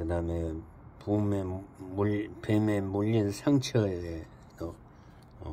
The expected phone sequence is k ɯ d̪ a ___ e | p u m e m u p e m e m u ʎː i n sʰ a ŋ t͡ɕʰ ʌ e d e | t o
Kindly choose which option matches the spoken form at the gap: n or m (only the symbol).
m